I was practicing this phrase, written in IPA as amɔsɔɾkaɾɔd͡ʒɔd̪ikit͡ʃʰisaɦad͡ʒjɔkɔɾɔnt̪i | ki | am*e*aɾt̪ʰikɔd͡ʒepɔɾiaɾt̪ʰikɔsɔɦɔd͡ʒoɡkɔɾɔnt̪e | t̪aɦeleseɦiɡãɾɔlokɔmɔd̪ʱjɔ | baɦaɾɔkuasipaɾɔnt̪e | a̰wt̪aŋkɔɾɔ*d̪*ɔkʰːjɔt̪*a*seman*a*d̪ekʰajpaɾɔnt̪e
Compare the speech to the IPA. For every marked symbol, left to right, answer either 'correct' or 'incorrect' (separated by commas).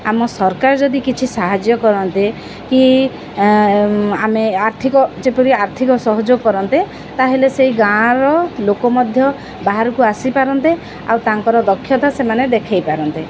correct, correct, correct, incorrect